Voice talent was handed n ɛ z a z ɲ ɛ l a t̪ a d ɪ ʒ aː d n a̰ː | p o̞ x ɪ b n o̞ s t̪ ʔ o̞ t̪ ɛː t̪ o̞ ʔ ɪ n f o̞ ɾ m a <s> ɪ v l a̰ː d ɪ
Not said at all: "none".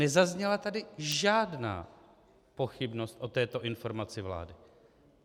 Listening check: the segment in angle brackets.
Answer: t͡s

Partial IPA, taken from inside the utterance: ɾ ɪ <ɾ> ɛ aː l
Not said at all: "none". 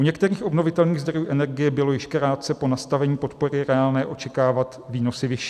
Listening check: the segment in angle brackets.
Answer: ɾ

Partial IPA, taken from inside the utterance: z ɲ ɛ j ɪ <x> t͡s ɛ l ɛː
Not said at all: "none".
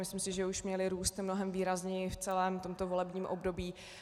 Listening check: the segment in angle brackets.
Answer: f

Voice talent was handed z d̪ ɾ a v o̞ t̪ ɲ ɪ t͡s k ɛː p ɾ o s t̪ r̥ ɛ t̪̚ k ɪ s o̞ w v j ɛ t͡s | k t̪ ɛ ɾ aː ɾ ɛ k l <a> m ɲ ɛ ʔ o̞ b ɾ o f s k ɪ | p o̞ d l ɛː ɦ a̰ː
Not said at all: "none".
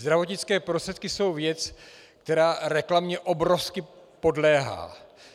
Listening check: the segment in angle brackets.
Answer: a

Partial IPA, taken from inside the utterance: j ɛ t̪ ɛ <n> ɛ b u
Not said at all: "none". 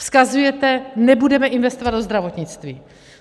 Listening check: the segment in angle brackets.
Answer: n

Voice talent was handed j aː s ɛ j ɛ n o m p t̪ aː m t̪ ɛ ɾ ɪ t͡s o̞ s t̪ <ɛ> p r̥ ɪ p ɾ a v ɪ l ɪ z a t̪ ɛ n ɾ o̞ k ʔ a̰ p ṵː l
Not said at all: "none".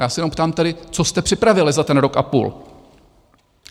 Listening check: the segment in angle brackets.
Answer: ɛ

